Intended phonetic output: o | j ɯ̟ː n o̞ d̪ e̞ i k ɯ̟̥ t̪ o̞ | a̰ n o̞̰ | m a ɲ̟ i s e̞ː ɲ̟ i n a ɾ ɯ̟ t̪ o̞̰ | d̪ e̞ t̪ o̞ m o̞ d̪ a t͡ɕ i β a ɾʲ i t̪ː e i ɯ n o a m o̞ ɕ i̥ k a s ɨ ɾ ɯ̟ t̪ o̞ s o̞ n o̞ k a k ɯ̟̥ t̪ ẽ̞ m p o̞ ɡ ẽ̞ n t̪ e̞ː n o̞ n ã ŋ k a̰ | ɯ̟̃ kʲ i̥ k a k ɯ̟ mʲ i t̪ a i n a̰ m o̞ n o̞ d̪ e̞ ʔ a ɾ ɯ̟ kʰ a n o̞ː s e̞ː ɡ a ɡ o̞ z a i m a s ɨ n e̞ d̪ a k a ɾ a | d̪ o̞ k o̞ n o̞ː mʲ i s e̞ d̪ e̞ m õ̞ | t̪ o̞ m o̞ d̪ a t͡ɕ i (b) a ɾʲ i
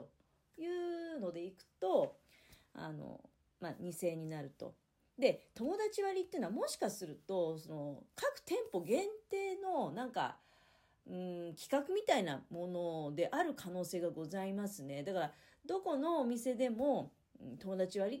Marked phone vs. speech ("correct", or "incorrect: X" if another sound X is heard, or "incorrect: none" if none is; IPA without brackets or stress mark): incorrect: β